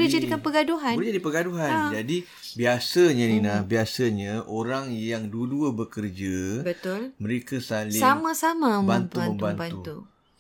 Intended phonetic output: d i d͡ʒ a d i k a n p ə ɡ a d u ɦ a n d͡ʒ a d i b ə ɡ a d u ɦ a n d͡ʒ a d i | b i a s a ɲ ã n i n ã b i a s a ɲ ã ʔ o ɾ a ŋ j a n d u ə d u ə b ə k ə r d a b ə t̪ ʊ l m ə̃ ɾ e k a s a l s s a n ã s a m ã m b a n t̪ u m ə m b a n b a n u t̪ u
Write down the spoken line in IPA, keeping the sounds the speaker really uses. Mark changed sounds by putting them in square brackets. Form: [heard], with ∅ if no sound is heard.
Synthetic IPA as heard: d i d͡ʒ a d i k a n p ə ɡ a d u ɦ a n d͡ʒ a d i [p] ə ɡ a d u ɦ a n d͡ʒ a d i | b i a s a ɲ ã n i n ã b i a s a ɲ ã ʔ o ɾ a ŋ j a [ŋ] d u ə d u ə b ə k ə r [d͡ʒ] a b ə t̪ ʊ l m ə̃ ɾ e k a s a l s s a [m] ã s a m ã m b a n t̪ u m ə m b a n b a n u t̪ u